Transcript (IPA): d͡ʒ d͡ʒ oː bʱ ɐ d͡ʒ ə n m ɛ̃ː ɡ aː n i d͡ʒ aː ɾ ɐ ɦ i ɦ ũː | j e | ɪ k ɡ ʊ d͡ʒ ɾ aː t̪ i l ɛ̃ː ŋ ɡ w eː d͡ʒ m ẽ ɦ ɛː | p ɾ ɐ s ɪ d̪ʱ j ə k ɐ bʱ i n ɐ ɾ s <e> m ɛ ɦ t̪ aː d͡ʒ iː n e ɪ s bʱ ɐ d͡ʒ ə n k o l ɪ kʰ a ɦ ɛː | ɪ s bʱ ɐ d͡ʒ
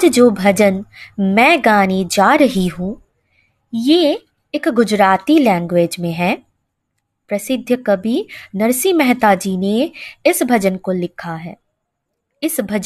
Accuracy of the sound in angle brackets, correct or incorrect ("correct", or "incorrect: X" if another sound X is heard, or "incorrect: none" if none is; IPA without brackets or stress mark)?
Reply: incorrect: i